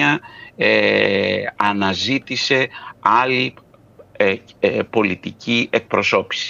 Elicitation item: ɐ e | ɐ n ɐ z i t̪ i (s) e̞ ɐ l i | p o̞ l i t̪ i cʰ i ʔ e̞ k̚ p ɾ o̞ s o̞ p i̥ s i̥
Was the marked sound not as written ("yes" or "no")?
no